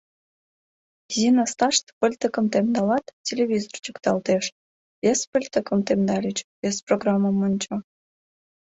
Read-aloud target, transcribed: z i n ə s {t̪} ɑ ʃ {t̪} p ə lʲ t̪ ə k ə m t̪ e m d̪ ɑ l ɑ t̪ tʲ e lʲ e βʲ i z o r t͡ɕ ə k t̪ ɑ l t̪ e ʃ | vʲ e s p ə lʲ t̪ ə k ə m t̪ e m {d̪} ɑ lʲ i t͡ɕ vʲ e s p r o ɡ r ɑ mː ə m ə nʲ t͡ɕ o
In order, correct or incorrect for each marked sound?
correct, correct, correct

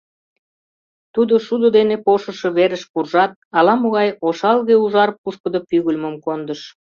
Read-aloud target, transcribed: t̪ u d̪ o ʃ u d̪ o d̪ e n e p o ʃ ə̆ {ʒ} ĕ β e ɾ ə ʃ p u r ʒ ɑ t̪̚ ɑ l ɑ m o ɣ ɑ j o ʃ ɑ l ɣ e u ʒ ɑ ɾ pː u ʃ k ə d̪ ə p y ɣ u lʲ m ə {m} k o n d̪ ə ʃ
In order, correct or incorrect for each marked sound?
incorrect, correct

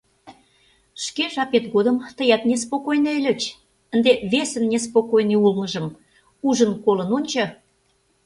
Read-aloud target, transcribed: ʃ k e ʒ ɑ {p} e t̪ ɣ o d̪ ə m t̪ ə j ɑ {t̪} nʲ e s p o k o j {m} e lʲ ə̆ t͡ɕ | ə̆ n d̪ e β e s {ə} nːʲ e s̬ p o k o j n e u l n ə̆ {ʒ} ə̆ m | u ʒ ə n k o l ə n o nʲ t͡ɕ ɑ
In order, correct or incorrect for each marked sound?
correct, correct, incorrect, correct, correct

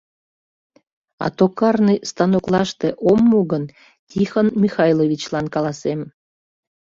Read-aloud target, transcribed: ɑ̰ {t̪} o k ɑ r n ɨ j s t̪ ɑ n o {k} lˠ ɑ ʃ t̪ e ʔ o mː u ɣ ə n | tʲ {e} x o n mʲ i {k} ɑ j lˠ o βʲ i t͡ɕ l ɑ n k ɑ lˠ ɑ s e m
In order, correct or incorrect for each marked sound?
correct, correct, incorrect, incorrect

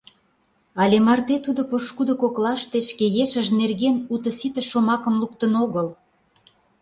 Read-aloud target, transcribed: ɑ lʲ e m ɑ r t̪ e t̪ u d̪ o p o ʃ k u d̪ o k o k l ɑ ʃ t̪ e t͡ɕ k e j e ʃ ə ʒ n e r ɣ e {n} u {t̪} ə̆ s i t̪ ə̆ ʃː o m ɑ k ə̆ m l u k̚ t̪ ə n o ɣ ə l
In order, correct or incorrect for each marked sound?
correct, correct

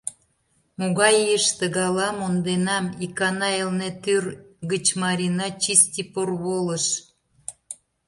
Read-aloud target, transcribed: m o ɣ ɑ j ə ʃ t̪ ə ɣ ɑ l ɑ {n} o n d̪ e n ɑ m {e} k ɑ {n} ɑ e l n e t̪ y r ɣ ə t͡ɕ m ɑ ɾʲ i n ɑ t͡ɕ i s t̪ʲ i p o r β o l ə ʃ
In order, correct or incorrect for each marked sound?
incorrect, incorrect, correct

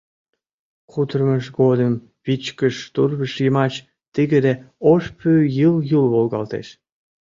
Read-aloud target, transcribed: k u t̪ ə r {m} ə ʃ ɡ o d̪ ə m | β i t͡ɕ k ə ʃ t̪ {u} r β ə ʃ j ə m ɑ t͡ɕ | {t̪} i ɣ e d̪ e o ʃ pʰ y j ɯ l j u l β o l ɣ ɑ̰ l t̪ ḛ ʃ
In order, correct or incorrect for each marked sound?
correct, correct, correct

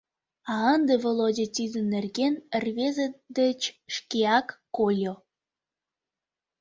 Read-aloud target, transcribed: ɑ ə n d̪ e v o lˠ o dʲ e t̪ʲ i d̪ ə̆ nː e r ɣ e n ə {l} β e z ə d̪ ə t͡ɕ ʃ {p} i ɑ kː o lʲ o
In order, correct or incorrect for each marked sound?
incorrect, incorrect

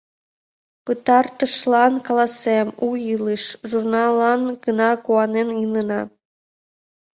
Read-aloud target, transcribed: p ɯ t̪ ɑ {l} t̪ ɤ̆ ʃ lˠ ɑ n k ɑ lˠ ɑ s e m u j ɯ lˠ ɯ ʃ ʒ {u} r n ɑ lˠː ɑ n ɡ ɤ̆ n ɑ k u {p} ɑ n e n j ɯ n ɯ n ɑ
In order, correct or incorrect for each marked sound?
incorrect, correct, incorrect

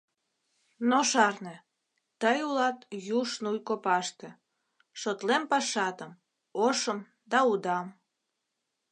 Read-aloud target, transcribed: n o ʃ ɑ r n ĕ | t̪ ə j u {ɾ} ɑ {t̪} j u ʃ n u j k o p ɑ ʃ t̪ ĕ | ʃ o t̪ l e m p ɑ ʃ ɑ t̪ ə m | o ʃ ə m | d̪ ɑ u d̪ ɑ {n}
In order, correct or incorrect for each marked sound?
incorrect, correct, incorrect

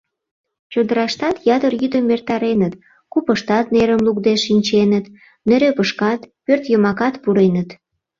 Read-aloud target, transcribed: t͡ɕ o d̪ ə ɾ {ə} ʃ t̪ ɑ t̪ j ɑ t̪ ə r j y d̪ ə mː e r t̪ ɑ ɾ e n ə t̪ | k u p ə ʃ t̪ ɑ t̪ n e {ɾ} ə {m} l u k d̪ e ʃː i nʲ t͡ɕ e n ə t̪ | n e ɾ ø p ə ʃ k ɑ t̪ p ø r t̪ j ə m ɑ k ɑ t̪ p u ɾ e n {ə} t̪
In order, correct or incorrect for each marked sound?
incorrect, correct, correct, correct

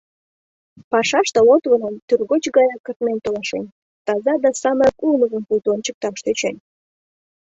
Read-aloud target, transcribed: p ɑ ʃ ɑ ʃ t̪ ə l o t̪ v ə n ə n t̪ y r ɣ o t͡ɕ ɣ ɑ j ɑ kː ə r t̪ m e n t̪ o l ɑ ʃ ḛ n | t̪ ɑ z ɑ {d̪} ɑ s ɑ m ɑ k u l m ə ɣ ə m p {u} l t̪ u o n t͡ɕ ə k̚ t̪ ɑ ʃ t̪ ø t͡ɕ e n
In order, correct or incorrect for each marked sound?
correct, correct

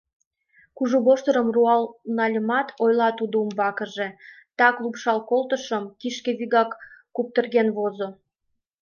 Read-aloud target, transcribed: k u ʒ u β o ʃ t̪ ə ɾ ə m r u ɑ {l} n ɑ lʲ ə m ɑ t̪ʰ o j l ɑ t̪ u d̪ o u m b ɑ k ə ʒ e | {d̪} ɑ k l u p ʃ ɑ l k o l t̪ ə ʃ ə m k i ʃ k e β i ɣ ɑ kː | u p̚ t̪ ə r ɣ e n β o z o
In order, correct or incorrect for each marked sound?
correct, incorrect

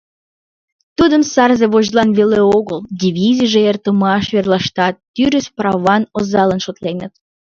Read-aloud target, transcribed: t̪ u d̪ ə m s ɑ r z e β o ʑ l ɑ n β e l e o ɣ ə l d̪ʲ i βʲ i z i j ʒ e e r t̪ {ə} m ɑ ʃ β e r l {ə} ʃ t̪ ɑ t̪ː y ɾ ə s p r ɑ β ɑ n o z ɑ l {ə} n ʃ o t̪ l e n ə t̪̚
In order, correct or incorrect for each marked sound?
correct, incorrect, correct

